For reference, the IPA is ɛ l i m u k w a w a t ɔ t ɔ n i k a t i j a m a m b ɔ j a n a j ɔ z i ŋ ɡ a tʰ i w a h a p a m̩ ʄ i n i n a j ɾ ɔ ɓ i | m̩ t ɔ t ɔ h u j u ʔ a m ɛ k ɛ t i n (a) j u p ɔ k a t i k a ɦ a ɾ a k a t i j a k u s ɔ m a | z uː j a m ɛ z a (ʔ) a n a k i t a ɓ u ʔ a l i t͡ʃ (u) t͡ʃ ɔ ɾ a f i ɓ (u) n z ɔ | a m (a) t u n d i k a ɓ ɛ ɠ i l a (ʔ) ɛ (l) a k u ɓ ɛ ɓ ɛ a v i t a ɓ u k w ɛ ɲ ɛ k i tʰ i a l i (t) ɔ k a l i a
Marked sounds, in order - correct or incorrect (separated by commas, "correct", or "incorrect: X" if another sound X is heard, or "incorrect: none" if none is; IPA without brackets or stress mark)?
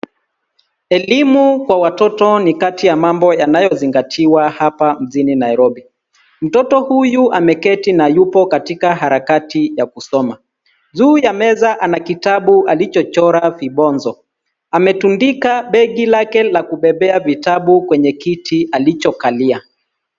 correct, correct, incorrect: ɔ, incorrect: ɔ, incorrect: ɛ, incorrect: k, correct, incorrect: t͡ʃ